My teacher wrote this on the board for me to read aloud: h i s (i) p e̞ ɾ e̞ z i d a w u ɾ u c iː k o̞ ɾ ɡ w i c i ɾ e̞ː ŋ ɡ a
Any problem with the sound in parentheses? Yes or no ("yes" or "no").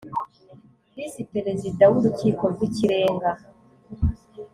no